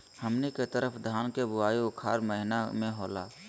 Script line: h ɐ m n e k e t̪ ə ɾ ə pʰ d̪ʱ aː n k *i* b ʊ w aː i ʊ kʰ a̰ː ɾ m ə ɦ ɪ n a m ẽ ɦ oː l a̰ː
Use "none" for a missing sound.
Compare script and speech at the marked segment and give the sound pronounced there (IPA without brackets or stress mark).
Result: e